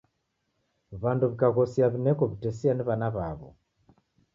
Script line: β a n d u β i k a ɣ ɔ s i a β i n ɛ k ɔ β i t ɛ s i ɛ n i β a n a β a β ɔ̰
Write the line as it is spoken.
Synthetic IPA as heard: β a n d u β i k a ɣ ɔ s i a β i n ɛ k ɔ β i t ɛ s i a n i β a n a β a β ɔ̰

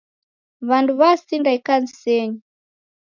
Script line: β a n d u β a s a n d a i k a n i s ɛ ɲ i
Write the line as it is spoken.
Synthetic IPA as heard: β a n d u β a s i n d a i k a n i s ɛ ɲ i

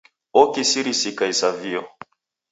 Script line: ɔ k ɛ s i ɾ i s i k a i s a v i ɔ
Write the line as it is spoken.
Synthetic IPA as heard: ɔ k i s i ɾ i s i k a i s a v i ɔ

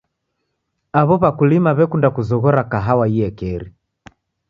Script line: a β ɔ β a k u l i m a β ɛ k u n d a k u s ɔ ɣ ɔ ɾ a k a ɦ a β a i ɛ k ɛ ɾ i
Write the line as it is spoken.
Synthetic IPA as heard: a β ɔ β a k u l i m a β ɛ k u n d a k u z ɔ ɣ ɔ ɾ a k a ɦ a w a i ɛ k ɛ ɾ i

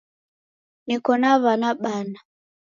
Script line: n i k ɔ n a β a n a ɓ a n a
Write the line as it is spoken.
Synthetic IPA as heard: n i k ɔ n a β a n a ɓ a n a

